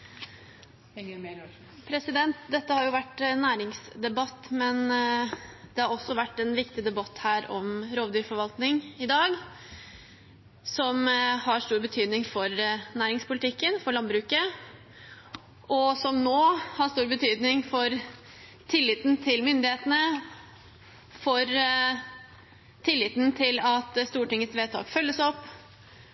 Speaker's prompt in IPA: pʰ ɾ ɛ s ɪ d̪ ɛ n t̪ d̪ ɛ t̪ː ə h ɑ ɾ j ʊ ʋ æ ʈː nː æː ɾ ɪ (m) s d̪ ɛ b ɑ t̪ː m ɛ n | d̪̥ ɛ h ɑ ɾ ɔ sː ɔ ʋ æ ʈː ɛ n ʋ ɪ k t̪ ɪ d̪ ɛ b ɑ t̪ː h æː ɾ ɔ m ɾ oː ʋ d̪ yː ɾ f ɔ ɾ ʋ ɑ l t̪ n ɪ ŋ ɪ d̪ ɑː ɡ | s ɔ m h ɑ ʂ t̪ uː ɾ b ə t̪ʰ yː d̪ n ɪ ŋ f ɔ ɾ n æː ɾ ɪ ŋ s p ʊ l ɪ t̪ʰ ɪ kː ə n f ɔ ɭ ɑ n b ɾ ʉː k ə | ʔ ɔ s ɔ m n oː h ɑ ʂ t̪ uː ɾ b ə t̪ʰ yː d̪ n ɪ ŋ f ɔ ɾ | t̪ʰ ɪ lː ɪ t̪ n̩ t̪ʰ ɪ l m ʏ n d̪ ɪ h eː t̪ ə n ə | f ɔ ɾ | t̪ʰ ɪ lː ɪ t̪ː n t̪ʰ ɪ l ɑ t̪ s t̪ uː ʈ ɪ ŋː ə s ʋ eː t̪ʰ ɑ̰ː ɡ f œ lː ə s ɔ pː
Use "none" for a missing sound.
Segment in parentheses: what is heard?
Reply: ŋ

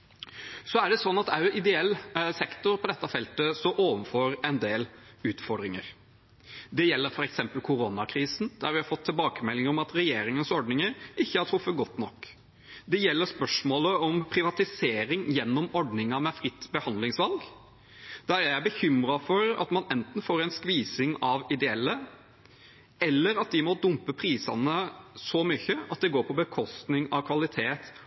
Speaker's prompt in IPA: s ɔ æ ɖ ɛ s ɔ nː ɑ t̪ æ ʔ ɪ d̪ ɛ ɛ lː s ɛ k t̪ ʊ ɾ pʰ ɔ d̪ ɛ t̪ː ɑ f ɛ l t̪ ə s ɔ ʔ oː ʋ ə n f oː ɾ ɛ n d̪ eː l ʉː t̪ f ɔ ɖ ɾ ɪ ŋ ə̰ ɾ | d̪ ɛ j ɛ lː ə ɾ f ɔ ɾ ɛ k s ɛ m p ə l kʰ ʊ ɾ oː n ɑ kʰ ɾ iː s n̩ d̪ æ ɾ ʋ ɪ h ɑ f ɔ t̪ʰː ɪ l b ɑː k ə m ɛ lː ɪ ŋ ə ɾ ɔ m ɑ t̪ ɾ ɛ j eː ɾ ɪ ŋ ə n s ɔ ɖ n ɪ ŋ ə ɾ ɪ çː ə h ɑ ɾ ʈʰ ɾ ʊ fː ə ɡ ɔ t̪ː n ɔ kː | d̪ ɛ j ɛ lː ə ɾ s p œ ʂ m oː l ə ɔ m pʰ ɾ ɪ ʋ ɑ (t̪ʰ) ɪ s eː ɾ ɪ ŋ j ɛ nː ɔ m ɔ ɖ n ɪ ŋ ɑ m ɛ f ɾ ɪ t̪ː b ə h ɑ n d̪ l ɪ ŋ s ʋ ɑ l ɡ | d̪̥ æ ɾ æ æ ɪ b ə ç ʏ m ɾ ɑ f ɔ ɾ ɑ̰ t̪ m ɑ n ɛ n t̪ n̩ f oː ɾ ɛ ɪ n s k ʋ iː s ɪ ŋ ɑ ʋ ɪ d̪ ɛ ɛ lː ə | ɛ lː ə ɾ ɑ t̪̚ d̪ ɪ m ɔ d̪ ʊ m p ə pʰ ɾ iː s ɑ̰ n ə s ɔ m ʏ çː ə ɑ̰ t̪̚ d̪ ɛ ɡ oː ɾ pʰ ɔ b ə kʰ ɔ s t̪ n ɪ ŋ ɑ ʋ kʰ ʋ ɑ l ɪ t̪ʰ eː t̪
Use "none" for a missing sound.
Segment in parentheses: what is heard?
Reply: t̪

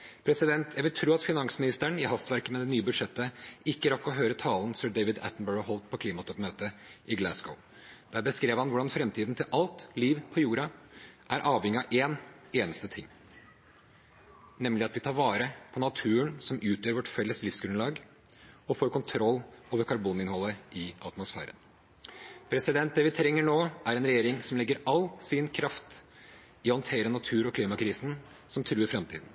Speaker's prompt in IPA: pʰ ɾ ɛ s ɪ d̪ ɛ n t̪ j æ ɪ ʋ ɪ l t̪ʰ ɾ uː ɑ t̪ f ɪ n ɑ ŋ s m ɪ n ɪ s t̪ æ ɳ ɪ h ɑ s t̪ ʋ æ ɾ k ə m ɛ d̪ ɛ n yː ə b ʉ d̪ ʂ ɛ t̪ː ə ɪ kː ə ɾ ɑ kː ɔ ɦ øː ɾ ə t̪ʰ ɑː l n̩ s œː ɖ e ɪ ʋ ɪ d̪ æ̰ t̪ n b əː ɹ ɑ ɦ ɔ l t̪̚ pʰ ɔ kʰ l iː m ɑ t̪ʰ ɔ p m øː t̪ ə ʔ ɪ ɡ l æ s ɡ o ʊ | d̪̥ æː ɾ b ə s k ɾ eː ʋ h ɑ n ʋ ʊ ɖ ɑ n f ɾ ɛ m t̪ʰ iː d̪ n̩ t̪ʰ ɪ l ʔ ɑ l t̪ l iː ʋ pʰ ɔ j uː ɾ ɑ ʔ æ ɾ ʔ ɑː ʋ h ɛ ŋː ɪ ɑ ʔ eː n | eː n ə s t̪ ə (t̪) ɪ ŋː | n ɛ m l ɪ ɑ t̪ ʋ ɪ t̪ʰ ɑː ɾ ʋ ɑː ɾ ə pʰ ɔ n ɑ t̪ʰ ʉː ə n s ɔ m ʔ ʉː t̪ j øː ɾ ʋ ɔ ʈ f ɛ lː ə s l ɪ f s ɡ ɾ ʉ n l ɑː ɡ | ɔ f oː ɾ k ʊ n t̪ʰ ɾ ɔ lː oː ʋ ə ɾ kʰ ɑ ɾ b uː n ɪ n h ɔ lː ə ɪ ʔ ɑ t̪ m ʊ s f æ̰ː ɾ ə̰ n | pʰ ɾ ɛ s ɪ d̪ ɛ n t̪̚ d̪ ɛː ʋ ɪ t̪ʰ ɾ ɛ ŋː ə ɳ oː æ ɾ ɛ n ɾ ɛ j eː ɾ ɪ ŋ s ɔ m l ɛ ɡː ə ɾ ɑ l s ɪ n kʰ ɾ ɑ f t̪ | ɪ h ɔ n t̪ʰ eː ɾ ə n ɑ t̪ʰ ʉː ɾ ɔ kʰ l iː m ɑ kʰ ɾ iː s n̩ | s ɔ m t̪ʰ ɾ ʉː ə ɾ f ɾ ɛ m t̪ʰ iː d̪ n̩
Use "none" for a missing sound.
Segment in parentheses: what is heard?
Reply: t̪ʰ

